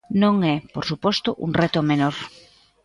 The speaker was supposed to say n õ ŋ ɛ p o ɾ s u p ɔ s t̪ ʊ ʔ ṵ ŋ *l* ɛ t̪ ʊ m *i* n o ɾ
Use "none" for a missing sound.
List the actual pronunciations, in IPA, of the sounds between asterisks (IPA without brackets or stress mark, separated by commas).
r, e